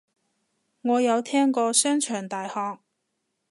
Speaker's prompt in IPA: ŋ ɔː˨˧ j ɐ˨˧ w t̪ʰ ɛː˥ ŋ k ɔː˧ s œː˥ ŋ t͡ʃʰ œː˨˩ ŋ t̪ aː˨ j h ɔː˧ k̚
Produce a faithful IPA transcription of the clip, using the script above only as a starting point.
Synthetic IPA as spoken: ŋ ɔː˨˧ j ɐ˨˧ w t̪ʰ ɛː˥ ŋ k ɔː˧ s œː˥ ŋ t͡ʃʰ œː˨˩ ŋ t̪ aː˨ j h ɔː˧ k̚